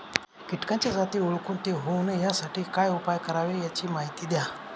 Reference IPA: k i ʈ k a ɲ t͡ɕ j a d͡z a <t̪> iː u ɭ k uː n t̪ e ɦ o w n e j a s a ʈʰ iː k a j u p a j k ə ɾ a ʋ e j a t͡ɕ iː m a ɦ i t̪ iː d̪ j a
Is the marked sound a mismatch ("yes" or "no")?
no